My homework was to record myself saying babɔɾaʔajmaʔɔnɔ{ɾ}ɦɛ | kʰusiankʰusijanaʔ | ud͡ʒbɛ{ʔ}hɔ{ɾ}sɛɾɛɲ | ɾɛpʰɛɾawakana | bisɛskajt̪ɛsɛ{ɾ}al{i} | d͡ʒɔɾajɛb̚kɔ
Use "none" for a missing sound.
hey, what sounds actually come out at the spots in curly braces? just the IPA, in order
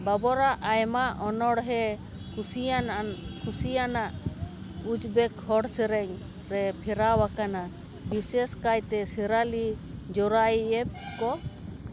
ɽ, k, ɽ, ɾ, i

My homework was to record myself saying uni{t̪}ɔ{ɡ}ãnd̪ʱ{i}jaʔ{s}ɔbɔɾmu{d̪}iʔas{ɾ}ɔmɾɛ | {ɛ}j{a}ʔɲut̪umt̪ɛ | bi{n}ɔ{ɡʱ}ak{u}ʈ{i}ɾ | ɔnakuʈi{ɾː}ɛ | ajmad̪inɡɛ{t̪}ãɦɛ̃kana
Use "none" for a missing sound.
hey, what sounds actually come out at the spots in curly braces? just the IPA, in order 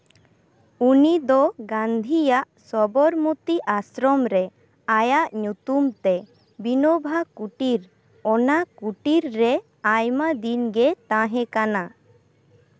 d̪, ɡ, i, s, t̪, ɾ, a, a, n, bʱ, u, i, ɾː, t̪

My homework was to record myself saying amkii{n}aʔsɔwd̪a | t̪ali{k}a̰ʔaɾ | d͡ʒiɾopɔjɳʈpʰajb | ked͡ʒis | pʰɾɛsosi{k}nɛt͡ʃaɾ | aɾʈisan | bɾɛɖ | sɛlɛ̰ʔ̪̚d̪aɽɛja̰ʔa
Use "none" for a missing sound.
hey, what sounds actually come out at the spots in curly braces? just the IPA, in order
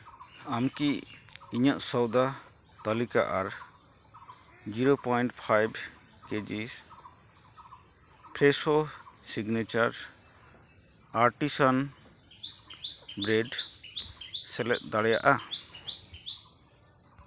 ɲ, k, ɡ

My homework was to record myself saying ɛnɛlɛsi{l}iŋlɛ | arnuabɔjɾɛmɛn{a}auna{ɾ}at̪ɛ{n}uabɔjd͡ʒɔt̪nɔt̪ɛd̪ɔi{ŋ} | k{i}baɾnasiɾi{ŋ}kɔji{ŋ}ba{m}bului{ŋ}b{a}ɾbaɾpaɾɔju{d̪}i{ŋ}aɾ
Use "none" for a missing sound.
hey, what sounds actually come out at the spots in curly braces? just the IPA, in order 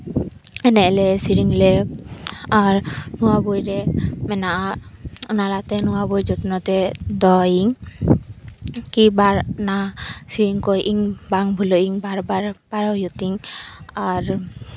ɾ, a, l, n, ŋ, i, ŋ, ŋ, ŋ, ŋ, a, t̪, ŋ

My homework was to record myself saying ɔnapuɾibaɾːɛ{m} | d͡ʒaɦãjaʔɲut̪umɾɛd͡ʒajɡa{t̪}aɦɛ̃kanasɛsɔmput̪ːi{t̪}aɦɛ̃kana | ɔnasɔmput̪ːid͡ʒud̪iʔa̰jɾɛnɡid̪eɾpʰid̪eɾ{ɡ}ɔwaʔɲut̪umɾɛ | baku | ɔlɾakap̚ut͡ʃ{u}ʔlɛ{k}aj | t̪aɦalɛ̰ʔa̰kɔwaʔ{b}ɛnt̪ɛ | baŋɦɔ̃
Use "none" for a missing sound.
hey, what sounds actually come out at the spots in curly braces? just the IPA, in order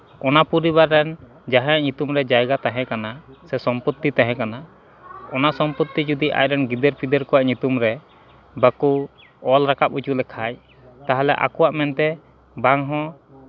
n, t̪, t̪, k, u, kʰ, m

